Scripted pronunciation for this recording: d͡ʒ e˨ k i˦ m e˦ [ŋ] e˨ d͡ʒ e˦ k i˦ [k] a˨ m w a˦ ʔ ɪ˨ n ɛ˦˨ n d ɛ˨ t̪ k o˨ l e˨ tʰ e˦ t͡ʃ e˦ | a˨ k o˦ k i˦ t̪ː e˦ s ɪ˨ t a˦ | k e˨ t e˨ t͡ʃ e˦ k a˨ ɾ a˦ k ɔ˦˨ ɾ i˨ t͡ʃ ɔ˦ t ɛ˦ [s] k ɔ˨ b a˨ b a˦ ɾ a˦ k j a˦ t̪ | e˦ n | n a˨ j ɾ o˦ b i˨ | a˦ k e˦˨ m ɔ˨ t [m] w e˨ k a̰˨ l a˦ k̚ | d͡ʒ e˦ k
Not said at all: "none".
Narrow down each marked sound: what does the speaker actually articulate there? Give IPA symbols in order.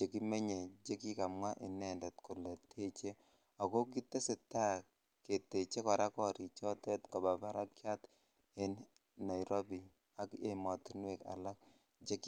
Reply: ɲ, k, t, n

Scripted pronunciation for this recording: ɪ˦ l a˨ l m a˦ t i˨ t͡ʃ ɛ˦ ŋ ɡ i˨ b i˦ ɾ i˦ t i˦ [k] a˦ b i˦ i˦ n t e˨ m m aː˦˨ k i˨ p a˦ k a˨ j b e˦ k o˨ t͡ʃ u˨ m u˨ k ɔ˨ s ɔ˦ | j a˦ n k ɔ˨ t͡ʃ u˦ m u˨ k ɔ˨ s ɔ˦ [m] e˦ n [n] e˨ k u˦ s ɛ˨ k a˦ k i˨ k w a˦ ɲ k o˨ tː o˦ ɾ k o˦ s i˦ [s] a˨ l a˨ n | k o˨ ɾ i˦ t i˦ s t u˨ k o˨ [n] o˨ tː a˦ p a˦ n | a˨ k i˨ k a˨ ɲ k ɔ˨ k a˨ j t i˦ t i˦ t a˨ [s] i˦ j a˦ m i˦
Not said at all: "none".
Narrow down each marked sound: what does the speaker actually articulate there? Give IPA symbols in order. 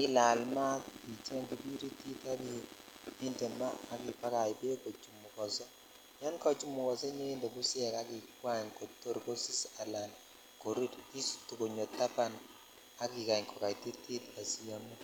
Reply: t, ɲ, d, s, ɲ, s

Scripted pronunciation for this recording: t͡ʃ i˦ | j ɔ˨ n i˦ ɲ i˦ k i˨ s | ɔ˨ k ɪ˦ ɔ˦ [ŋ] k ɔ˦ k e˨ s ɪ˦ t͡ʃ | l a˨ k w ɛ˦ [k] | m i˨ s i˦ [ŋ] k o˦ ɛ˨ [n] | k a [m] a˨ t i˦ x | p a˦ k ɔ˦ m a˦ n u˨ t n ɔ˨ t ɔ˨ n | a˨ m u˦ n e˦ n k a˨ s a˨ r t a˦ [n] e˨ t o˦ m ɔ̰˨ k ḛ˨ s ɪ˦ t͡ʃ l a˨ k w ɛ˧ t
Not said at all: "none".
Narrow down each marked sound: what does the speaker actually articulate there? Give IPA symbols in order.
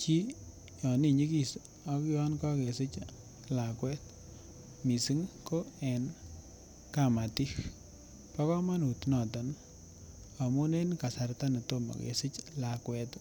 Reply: n, t, ŋ, n, m, n

